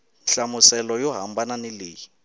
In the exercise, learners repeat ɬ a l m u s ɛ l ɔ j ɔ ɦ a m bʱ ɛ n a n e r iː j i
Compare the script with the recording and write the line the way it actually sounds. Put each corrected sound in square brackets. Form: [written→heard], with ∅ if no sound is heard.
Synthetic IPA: ɬ a [l→∅] m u s ɛ l ɔ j ɔ ɦ a m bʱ [ɛ→a] n a n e [r→l] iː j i

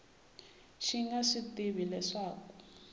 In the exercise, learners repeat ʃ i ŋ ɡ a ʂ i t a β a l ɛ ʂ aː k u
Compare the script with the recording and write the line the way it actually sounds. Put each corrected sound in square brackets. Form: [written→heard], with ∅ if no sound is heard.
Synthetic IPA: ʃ i ŋ ɡ a ʂ i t [a→i] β [a→i] l ɛ ʂ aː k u

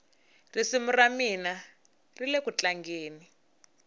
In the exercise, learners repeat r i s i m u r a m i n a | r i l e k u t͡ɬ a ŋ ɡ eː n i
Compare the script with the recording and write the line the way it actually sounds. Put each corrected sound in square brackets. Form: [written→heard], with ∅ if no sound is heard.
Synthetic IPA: r i s i m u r a m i n a | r i l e k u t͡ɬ a ŋ ɡ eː n i

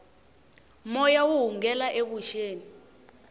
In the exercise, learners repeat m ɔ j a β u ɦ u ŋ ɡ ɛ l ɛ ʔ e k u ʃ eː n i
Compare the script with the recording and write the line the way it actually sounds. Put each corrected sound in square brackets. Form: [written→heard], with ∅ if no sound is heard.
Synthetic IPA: m ɔ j a [β→w] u ɦ u ŋ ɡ ɛ l [ɛ→a] ʔ e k u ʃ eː n i

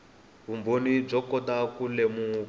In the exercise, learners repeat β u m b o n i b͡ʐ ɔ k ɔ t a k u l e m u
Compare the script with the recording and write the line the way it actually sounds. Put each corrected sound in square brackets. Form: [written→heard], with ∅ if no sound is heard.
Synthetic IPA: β u m b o n i b͡ʐ ɔ k ɔ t a k u l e m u

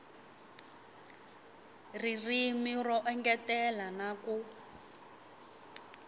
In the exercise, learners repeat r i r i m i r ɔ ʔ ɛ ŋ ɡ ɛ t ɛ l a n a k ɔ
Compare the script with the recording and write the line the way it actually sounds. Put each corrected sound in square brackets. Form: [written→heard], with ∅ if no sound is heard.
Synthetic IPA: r i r i m i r ɔ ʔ ɛ ŋ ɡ ɛ t ɛ l a n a k [ɔ→u]

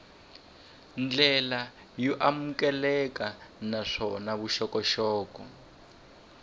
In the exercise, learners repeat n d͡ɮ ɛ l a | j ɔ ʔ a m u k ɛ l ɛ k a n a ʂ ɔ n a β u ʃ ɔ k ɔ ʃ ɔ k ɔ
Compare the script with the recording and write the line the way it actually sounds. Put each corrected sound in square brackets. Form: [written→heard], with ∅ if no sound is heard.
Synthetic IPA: n d͡ɮ ɛ l a | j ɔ ʔ a m u k ɛ l ɛ k a n a ʂ ɔ n a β u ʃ ɔ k ɔ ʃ [ɔ→ɔː] k ɔ

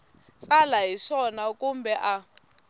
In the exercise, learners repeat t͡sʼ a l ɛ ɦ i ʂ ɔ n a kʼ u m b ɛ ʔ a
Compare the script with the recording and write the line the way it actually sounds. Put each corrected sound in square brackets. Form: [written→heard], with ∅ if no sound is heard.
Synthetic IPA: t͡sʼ a l [ɛ→a] ɦ i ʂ ɔ n a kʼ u m b ɛ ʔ a

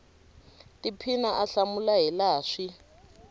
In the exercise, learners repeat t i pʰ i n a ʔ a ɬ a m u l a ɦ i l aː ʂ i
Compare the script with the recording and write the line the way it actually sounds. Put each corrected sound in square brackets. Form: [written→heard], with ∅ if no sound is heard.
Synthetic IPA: t i pʰ i n a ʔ a ɬ a m u l a ɦ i l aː ʂ i

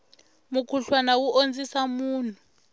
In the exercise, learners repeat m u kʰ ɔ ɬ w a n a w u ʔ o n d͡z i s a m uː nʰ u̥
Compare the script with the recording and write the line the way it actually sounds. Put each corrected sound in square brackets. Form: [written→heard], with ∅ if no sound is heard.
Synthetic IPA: m u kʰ [ɔ→u] ɬ w a n a w u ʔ o n d͡z i s a m uː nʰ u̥

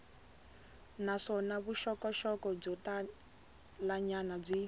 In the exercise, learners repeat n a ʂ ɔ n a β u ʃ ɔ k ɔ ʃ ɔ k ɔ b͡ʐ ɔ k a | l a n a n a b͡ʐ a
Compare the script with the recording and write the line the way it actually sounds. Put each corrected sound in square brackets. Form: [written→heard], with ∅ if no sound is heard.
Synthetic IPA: n a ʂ ɔ n a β u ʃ ɔ k ɔ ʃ ɔ k ɔ b͡ʐ ɔ [k→t] a | l a [n→ɲ] a n a b͡ʐ [a→i]

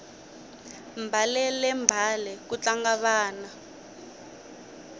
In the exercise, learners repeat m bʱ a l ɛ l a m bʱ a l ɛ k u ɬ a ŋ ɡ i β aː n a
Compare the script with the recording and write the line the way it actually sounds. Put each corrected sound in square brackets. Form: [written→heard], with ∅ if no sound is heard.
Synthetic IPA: m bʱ a l ɛ l [a→ɛ] m bʱ a l ɛ k u [ɬ→t͡ɬ] a ŋ ɡ [i→a] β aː n a

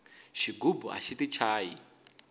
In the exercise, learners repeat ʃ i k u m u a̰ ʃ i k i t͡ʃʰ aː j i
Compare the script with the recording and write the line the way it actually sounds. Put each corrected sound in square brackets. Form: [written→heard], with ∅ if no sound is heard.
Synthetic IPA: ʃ i [k→ɡ] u [m→b] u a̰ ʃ i [k→t] i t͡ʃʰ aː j i

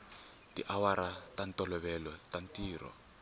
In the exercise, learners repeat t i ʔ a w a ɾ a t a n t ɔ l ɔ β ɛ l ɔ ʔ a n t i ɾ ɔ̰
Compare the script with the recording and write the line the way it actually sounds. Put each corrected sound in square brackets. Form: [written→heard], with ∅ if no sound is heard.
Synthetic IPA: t i ʔ a w a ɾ a t a n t ɔ l ɔ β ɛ l ɔ [ʔ→t] a n t [i→iː] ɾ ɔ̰

